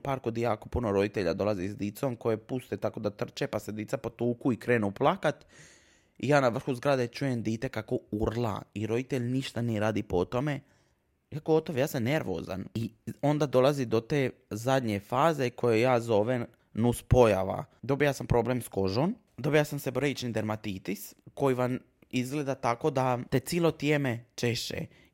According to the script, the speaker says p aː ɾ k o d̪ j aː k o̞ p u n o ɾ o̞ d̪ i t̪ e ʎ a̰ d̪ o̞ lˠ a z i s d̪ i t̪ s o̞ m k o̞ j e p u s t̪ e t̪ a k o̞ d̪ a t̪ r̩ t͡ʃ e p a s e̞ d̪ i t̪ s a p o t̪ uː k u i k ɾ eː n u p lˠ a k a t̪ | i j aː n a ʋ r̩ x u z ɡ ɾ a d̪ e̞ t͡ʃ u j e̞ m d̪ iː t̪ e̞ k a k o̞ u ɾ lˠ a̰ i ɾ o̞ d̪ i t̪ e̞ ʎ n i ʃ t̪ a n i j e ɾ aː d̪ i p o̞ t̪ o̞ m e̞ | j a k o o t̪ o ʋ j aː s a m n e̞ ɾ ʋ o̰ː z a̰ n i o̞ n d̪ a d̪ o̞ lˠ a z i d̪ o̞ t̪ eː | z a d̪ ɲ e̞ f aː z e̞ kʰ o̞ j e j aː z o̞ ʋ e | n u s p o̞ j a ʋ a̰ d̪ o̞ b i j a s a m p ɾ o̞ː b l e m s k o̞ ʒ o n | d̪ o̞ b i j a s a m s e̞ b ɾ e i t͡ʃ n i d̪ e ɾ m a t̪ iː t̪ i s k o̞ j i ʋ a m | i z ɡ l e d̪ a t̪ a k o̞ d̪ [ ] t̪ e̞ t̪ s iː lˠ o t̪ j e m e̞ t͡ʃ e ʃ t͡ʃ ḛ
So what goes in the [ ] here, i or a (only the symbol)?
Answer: a